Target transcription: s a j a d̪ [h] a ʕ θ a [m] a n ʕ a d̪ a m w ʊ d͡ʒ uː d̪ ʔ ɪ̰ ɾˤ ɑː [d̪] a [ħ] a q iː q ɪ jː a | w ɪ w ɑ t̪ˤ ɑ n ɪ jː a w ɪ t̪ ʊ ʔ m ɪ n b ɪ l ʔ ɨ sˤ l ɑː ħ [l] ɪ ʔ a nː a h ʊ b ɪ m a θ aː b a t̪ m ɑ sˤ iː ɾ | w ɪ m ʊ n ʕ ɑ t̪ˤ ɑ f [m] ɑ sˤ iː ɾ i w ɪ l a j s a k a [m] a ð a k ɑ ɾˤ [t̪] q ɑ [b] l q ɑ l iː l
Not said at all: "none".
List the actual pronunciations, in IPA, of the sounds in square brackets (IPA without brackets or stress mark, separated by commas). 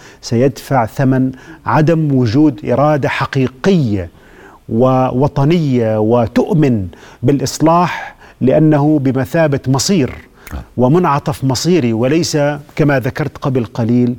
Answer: f, m, d̪, ħ, l, m, m, t̪, b